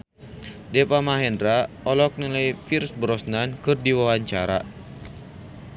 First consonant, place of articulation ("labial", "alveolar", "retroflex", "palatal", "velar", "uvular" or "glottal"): alveolar